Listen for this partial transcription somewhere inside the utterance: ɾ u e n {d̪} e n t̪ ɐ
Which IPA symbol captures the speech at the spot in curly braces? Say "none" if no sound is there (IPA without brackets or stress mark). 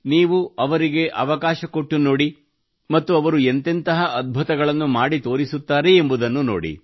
t̪